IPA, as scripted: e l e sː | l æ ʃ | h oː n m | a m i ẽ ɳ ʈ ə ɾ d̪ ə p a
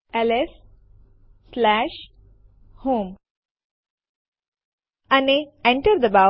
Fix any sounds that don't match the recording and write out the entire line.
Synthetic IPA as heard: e l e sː | l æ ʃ | h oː m | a n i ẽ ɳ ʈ ə ɾ d̪ ə b a